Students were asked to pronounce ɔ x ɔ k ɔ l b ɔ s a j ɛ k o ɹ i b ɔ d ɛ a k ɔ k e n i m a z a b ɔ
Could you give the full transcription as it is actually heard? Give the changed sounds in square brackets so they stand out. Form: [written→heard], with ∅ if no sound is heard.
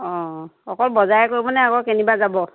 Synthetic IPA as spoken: ɔ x ɔ k ɔ l b ɔ [s→z] a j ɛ k o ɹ i b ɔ [d→n] ɛ a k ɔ k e n i [m→b] a z a b ɔ